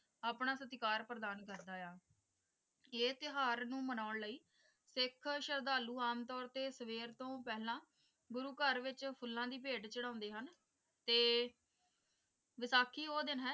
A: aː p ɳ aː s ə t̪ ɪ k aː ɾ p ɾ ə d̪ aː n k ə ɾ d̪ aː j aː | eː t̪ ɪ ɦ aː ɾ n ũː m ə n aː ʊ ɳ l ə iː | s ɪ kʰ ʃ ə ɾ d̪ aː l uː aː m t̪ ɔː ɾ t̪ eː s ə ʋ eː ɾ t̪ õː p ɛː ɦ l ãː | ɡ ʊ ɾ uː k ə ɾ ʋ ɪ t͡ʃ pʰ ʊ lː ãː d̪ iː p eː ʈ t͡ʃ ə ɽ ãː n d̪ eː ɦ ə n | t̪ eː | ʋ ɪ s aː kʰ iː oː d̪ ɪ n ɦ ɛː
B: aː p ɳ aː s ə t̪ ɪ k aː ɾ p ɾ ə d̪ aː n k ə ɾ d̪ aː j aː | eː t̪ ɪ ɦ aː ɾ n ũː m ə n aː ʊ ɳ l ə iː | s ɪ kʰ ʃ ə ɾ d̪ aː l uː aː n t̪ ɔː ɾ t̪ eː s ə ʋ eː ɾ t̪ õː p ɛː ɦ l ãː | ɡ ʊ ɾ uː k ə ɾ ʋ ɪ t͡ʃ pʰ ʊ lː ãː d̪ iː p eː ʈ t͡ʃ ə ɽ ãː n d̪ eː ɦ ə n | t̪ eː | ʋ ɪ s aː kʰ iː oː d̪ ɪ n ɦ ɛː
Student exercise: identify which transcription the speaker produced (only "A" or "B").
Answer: A